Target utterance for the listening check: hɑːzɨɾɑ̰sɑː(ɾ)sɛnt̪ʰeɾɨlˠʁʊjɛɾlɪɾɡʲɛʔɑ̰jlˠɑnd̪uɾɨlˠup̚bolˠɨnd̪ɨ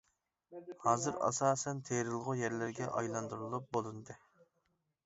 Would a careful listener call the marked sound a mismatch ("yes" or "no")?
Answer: yes